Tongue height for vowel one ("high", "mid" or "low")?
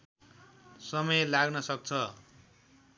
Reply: mid